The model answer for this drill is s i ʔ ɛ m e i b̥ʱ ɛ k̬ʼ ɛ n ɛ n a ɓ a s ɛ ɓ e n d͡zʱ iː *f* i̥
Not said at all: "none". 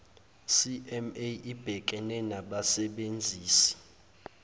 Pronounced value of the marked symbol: s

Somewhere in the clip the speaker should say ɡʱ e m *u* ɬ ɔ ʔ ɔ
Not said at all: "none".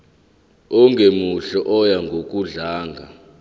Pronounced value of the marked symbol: u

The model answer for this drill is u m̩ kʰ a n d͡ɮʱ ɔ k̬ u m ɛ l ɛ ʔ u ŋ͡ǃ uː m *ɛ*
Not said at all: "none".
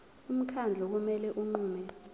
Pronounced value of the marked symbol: ɛ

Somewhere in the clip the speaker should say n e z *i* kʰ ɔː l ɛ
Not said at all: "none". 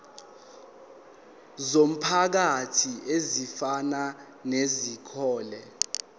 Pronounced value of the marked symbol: i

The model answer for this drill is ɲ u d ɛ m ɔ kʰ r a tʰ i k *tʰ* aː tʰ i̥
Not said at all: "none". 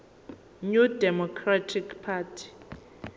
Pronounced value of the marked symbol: pʰ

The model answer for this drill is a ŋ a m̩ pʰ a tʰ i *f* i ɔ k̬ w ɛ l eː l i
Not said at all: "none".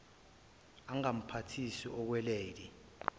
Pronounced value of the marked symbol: s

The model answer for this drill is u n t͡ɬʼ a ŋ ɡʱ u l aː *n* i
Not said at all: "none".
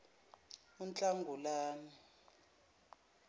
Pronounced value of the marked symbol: n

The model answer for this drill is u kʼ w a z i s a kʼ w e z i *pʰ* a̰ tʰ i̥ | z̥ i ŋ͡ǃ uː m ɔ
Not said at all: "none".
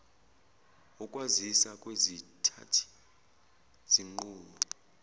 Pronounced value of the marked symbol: tʰ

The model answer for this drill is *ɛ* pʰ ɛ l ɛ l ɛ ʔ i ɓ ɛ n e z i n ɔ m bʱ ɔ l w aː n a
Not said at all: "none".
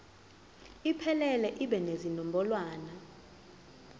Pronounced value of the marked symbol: i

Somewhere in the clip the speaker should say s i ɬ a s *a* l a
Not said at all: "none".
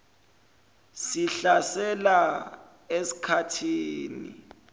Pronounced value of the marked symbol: ɛ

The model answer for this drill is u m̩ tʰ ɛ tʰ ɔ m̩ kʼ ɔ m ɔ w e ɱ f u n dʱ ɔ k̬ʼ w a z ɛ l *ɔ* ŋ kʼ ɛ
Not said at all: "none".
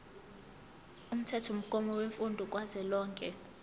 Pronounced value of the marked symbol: ɔː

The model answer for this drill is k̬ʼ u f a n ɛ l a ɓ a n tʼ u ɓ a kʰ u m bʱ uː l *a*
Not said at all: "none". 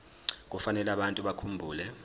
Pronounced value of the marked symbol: ɛ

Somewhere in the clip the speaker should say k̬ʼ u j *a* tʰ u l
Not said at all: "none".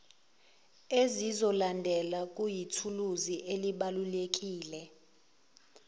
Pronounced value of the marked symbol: i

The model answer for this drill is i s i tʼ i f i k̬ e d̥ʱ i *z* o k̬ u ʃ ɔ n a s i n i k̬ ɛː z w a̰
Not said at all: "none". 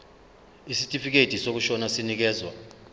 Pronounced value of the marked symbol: s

